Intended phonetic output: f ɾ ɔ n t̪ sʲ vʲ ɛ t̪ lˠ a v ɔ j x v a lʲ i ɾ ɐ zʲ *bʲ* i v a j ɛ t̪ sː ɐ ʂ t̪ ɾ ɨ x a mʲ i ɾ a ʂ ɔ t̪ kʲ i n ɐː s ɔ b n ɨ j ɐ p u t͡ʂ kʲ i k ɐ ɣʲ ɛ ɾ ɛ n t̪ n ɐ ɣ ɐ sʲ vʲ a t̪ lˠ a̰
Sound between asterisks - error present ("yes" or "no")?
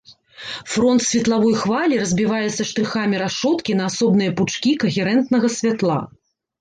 no